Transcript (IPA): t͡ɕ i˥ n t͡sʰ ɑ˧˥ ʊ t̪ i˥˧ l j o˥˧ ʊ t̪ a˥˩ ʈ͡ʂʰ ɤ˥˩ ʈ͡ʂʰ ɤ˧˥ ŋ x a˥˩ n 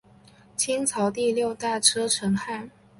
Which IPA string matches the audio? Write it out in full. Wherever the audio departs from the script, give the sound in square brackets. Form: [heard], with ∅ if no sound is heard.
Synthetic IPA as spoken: [t͡ɕʰ] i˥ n t͡sʰ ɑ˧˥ ʊ t̪ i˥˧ l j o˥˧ ʊ t̪ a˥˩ ʈ͡ʂʰ [ɤ˥] ʈ͡ʂʰ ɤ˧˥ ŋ x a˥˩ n